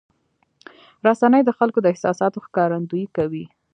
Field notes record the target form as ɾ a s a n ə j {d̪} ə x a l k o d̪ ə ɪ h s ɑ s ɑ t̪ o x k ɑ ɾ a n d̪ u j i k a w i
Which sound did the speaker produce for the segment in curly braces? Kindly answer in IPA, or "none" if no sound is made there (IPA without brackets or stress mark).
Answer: d̪